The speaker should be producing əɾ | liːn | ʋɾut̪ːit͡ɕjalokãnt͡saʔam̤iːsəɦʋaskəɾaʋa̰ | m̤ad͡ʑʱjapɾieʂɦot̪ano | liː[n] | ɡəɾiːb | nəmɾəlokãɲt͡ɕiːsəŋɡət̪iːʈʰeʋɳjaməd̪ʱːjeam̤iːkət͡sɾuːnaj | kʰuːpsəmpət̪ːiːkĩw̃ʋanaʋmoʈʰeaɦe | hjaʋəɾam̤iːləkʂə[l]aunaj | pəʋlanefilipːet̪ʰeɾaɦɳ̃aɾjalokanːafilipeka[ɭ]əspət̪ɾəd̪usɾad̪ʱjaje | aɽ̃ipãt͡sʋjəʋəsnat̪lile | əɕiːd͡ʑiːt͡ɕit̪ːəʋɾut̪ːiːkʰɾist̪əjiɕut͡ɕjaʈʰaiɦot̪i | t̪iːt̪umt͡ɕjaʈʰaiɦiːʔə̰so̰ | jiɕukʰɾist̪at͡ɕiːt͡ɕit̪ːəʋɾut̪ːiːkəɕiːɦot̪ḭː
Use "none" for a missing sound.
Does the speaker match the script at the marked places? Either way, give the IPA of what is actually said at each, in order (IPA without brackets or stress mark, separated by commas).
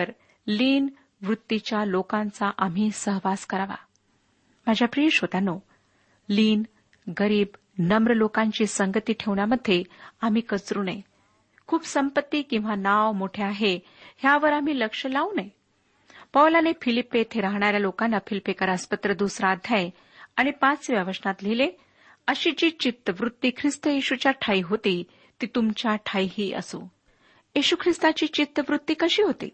n, l, ɾ